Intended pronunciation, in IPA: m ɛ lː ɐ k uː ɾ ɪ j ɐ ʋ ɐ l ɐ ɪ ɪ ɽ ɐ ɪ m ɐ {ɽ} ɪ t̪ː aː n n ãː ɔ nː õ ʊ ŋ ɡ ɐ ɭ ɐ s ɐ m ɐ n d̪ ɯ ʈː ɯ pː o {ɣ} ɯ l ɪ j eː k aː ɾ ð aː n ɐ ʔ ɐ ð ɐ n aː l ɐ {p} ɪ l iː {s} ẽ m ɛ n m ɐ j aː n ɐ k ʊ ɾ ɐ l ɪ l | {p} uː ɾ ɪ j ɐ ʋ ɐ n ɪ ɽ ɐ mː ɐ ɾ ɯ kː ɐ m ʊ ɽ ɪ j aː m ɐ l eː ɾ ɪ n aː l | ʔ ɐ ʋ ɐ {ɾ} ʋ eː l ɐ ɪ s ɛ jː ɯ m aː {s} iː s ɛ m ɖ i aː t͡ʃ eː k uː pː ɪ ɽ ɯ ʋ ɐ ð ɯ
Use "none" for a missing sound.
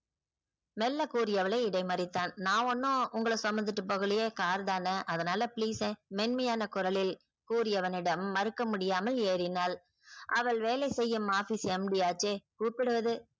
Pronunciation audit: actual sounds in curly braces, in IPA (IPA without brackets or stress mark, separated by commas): ɾ, ɣ, p, s, k, ɭ, f